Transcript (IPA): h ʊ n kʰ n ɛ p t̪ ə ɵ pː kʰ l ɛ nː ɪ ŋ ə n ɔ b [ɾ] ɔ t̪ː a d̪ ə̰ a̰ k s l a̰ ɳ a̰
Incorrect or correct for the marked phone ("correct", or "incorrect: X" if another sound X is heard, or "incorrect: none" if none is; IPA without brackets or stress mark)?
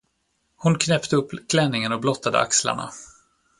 incorrect: l